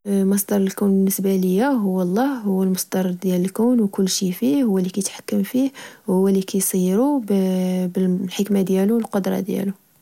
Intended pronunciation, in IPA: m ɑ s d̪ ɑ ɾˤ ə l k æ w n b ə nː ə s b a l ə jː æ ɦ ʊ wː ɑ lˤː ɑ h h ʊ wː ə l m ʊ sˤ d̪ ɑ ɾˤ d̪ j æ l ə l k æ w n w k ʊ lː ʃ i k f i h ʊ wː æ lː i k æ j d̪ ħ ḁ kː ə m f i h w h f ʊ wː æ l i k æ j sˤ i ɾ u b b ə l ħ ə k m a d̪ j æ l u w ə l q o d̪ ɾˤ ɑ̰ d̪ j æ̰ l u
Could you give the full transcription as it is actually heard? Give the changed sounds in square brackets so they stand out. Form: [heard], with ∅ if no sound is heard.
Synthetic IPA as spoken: m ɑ s d̪ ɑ ɾˤ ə l k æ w n b ə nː ə s b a l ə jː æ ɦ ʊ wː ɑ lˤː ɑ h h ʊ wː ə l m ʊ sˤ d̪ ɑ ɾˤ d̪ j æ l ə l k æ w n w k ʊ lː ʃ i [∅] f i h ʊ wː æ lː i k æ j [t̪] ħ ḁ kː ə m f i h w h [h] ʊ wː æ l i k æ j sˤ i ɾ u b b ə l ħ ə k m a d̪ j æ l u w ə l q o d̪ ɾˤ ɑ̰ d̪ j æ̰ l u